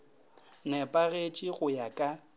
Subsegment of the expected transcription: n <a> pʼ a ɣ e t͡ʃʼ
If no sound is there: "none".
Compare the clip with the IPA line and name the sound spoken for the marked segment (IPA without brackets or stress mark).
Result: ɛ